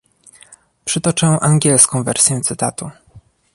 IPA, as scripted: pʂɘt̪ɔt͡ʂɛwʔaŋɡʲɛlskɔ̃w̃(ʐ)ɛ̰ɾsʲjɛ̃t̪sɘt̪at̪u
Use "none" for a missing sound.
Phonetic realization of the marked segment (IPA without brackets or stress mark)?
v